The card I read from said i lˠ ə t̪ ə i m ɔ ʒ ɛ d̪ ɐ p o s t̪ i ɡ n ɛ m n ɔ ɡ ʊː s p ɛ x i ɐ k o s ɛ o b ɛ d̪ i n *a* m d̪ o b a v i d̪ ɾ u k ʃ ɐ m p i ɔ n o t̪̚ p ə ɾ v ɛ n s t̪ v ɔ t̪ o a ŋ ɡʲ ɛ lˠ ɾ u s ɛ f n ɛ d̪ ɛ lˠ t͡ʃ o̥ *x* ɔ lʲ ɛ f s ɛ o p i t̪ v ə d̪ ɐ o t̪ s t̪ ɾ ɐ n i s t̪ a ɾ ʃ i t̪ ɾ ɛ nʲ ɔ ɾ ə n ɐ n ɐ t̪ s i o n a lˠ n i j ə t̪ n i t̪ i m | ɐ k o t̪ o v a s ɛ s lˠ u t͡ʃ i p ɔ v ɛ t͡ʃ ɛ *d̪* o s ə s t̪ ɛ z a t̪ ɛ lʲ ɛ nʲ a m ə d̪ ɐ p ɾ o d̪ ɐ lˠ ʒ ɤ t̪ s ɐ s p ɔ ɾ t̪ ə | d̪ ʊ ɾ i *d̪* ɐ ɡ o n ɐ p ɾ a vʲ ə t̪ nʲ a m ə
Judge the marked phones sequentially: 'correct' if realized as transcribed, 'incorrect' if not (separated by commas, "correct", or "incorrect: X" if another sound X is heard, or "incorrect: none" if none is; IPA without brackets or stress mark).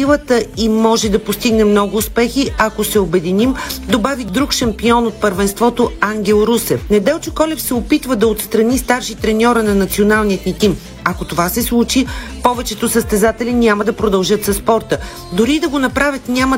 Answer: incorrect: i, incorrect: k, incorrect: t̪, correct